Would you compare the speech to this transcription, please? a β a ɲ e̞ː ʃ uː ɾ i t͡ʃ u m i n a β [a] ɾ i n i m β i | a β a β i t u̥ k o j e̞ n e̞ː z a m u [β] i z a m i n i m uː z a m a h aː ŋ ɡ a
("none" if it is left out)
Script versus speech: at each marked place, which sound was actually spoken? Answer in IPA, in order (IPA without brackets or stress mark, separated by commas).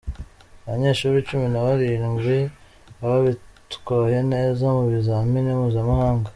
a, β